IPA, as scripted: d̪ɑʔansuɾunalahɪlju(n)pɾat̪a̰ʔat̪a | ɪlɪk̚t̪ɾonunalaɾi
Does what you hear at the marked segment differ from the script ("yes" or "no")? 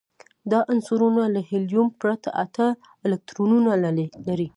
yes